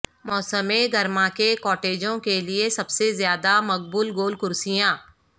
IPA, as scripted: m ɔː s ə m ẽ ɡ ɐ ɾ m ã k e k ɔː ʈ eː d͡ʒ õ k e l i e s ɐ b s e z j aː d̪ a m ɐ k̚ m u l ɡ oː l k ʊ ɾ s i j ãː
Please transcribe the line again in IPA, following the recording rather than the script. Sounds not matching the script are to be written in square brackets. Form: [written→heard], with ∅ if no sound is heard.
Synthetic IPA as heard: m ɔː s ə m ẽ ɡ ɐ ɾ m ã k e k ɔː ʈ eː d͡ʒ õ k e l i e s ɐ b s e z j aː d̪ a m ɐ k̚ [m→b] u l ɡ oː l k ʊ ɾ s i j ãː